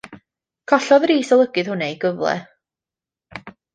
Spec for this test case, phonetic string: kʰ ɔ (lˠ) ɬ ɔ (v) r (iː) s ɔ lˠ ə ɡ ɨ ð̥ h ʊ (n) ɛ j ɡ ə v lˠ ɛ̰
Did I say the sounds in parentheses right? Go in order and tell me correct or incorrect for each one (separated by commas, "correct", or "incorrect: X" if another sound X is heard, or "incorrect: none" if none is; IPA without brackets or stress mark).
incorrect: none, incorrect: ð, correct, correct